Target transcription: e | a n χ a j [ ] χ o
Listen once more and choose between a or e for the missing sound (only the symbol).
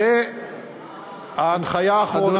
a